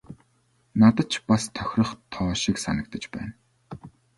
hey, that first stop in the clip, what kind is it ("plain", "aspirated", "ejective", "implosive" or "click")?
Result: plain